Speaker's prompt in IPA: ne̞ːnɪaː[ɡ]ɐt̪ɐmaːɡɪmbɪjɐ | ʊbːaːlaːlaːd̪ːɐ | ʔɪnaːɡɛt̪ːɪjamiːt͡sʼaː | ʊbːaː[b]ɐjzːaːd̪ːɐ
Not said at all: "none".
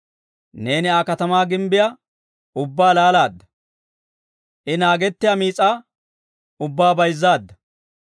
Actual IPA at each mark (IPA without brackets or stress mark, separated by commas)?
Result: k, b